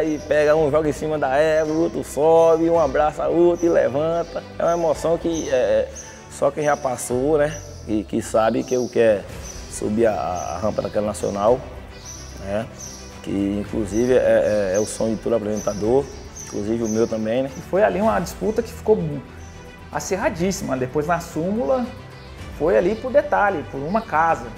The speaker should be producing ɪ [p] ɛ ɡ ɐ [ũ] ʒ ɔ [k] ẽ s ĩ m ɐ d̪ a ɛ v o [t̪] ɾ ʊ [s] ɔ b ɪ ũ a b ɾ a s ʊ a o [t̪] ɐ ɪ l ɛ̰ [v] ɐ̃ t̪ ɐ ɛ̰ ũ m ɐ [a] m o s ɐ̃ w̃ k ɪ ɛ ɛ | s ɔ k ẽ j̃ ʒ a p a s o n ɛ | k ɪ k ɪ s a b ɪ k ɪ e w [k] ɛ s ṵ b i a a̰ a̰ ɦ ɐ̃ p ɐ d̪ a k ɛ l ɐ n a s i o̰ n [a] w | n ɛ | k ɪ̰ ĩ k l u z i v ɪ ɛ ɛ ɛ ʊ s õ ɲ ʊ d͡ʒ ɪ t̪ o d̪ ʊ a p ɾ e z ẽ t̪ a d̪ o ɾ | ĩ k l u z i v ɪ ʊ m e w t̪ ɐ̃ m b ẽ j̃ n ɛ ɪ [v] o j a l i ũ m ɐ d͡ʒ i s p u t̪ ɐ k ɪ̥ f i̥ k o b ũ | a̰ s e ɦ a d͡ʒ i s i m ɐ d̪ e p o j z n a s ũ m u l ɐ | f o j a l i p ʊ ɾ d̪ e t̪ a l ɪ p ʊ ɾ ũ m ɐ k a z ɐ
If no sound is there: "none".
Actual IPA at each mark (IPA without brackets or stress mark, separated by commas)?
p, ũ, ɡ, t̪, s, t̪, v, e, k, a, f